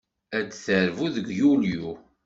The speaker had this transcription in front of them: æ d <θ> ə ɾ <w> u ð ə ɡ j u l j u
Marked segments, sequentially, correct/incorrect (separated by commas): correct, incorrect